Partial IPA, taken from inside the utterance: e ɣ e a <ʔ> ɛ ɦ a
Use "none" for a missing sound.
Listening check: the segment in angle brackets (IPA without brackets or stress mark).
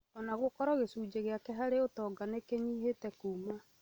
k